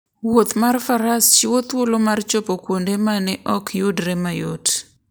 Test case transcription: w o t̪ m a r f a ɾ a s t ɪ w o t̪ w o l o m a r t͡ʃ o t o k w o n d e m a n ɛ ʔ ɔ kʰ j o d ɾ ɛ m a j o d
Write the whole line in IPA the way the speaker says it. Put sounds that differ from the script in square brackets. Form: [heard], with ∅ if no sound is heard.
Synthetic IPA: w o t̪ m a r f a ɾ a s [t͡ʃ] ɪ w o t̪ w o l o m a r t͡ʃ o [p] o k w o n d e m a n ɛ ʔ ɔ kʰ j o d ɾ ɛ m a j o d